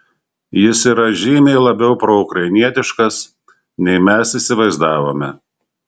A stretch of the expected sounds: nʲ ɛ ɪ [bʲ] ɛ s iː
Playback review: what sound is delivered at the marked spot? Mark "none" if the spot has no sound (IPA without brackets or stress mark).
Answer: mʲ